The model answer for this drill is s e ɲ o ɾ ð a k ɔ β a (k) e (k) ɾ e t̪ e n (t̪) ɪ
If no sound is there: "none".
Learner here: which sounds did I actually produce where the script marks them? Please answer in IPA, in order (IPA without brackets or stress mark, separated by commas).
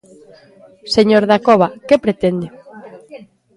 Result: k, p, d̪